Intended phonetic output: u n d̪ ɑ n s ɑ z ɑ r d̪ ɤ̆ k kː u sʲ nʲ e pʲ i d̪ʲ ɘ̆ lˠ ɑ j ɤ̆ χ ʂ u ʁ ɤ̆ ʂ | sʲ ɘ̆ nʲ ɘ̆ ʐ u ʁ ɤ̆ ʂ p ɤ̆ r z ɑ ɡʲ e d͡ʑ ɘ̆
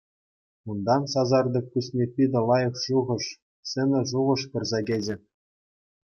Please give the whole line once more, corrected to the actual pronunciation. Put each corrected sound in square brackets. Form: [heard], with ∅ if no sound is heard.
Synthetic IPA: u n d̪ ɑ n s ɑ z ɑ r d̪ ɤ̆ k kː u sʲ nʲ e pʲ i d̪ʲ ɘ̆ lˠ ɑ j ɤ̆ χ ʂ u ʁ ɤ̆ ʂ | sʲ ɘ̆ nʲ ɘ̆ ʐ u ʁ ɤ̆ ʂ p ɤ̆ r z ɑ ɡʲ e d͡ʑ ɘ̆